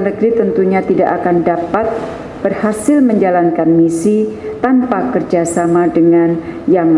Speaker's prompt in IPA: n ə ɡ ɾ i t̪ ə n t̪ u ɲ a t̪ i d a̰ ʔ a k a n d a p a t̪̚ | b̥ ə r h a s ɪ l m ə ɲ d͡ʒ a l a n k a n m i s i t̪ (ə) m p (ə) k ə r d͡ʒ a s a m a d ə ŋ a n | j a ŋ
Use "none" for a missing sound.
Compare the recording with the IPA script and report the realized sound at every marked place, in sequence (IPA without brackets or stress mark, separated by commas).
a, a